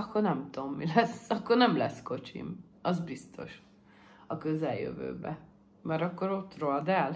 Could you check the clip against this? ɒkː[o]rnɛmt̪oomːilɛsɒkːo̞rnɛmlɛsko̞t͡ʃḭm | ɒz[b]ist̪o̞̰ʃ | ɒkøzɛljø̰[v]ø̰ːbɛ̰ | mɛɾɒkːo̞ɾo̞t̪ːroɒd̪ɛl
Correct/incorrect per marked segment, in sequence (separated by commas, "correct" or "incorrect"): correct, correct, correct